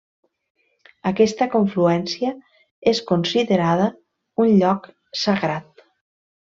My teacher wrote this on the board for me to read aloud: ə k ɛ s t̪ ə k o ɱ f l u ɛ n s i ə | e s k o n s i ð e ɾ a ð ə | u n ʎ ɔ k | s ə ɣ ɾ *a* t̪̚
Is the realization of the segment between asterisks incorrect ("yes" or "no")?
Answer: no